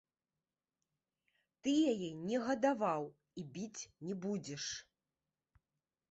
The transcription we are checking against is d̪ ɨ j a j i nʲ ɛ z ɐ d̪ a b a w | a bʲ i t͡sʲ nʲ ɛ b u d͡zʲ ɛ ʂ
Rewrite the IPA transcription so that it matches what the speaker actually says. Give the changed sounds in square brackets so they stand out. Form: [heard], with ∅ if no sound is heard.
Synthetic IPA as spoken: [t̪] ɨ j a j [ɛ] nʲ ɛ [ɣ] ɐ d̪ a [v] a w | [i] bʲ i t͡sʲ nʲ ɛ b u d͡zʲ ɛ ʂ